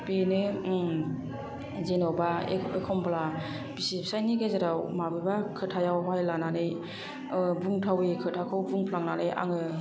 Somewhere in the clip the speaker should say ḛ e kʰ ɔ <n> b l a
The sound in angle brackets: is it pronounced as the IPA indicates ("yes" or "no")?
no